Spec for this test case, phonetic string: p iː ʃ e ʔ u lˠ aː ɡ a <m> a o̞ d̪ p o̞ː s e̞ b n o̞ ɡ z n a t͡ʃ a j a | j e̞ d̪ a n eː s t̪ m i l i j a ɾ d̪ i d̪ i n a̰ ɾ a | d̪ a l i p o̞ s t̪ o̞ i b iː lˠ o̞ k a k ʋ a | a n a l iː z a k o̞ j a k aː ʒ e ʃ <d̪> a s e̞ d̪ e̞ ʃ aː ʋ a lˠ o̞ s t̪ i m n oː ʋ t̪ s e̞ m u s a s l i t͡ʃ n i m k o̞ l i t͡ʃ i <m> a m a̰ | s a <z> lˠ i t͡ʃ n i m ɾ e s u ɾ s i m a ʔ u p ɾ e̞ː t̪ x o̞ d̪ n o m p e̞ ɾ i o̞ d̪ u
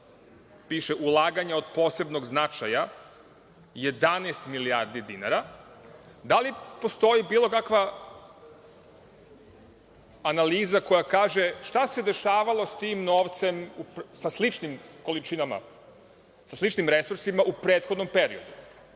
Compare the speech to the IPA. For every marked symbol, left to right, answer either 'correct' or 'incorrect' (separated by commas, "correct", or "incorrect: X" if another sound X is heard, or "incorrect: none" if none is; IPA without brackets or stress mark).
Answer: incorrect: ɲ, incorrect: t̪, incorrect: n, incorrect: s